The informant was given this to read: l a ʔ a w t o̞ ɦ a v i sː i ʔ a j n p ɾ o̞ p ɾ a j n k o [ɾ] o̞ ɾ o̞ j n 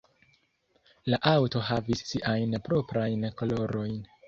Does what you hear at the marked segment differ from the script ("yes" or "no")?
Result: yes